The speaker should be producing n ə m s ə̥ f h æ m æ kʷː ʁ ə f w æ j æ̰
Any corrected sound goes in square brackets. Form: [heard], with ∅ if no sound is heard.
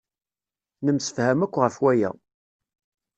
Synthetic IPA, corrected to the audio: n ə m s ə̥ f h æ m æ kʷː ʁ ə f w æ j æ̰